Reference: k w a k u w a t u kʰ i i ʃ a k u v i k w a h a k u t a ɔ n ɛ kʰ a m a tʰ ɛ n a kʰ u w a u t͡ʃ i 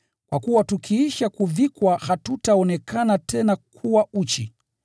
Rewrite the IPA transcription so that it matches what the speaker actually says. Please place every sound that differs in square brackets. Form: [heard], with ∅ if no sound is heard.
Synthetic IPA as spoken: k w a k u w a t u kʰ i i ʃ a k u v i k w a h a [t] u t a ɔ n ɛ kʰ a [n] a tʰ ɛ n a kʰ u w a u t͡ʃ i